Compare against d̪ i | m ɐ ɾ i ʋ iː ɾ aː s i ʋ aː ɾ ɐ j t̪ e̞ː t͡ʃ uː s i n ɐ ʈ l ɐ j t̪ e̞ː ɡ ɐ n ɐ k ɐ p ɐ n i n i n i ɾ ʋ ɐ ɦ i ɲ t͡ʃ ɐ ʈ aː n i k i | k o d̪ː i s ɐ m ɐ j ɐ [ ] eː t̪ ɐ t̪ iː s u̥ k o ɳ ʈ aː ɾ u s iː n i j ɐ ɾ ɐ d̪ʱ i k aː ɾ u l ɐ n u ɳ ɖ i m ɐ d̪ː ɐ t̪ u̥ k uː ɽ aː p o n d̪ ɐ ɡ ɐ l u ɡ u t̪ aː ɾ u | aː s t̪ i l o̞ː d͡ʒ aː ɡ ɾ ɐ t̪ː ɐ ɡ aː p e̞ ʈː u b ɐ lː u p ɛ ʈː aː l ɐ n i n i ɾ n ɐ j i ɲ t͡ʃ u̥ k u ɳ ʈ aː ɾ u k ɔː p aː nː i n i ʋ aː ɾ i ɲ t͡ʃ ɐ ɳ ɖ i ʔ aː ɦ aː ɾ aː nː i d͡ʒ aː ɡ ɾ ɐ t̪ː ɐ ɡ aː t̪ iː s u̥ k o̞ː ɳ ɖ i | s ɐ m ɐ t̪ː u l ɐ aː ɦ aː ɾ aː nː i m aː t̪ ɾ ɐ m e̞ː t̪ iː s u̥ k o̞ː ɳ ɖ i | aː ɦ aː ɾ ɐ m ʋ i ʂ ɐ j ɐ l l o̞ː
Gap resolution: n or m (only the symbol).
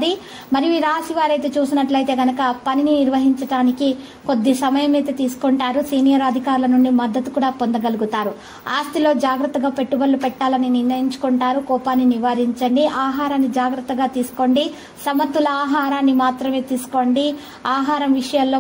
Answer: m